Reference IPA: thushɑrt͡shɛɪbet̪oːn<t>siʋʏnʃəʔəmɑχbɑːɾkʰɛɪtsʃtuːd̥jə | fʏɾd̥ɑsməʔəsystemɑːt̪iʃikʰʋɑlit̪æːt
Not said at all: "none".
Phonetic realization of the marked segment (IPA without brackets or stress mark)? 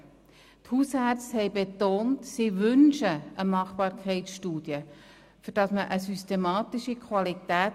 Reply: t